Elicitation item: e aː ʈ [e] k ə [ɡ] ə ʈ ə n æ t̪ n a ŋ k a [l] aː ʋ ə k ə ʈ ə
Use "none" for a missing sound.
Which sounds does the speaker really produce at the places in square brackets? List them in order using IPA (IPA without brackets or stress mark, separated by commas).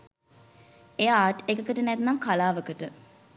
e, k, l